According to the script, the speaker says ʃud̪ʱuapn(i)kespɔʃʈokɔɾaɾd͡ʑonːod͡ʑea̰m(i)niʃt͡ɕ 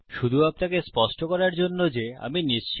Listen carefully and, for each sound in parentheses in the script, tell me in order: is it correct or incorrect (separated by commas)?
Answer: incorrect, correct